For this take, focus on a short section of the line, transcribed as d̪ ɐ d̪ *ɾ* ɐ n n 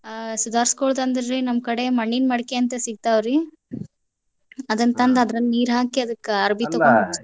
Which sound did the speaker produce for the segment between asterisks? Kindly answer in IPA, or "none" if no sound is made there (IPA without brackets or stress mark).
ɾ